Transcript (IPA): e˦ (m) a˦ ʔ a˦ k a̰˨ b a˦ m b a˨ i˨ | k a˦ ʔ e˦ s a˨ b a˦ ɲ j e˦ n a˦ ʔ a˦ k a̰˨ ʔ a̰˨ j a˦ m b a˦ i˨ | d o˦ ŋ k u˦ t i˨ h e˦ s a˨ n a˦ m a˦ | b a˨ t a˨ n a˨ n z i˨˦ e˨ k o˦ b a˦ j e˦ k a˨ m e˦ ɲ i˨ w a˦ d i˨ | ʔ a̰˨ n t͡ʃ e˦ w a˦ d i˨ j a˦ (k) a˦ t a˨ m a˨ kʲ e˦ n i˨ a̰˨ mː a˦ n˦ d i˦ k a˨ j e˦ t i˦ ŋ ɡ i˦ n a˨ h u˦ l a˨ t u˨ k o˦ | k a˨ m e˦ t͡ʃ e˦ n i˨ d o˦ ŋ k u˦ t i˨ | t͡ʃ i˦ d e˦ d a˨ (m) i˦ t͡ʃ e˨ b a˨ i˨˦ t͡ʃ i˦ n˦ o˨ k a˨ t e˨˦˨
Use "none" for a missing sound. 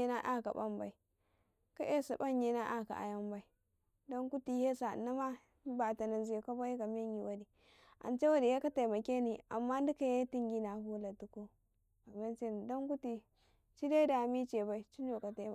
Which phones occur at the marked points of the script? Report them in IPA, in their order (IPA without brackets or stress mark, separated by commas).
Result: n, k, m